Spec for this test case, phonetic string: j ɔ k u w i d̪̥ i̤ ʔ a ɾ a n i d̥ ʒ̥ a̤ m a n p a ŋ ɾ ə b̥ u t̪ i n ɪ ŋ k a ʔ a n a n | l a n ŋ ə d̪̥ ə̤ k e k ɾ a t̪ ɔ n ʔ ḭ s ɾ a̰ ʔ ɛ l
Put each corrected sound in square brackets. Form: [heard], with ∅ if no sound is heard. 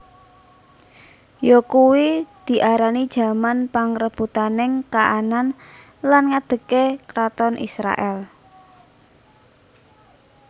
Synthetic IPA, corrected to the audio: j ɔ k u w i d̪̥ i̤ ʔ a ɾ a n i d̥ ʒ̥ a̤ m a n p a ŋ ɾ ə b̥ u t̪ [a] n ɪ ŋ k a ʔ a n a n | l a n ŋ [a] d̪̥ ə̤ k e k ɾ a t̪ ɔ n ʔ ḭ s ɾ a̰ ʔ ɛ l